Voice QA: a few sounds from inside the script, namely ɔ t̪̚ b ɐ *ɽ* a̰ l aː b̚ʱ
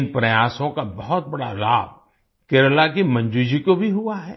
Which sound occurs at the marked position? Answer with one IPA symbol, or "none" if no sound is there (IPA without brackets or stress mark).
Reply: ɽ